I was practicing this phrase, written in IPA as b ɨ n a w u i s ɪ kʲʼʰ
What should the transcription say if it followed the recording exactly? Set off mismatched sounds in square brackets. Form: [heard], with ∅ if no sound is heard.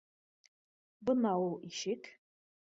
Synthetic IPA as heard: b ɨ n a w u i [ʃ] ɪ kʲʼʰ